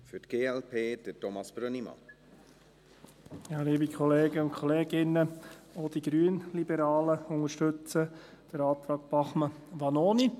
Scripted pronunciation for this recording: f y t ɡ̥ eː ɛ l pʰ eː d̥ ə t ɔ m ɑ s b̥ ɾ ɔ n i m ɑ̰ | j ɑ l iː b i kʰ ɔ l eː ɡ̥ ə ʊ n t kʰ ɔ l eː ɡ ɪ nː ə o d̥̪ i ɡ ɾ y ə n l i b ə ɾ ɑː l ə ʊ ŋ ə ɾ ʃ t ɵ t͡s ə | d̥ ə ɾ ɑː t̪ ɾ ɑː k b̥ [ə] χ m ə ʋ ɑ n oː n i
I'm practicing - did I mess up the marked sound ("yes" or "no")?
yes